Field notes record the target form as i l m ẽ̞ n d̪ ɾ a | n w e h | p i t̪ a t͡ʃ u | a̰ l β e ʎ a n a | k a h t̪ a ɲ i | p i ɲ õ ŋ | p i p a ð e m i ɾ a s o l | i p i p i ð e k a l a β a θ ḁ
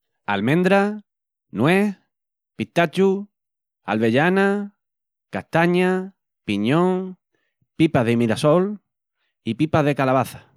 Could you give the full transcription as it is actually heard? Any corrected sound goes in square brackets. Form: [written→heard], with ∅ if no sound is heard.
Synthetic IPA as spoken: [i→a] l m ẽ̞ n d̪ ɾ a | n w e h | p i t̪ a t͡ʃ u | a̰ l β e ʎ a n a | k a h t̪ a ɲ [i→a] | p i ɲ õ ŋ | p i p a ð e m i ɾ a s o l | i p i p [i→a] ð e k a l a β a θ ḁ